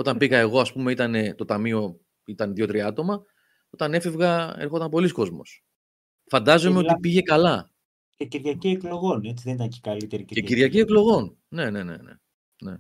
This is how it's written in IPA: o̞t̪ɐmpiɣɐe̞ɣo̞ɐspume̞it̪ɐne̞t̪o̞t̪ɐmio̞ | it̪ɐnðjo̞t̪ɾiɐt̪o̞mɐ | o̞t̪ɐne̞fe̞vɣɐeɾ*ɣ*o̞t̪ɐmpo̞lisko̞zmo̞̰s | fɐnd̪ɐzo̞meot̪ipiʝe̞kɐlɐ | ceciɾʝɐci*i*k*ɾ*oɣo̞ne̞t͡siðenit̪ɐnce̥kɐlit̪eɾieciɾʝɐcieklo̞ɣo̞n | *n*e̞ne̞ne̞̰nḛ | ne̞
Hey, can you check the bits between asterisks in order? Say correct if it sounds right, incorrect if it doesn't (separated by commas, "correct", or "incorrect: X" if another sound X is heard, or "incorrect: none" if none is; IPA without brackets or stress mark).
incorrect: x, incorrect: e, incorrect: l, correct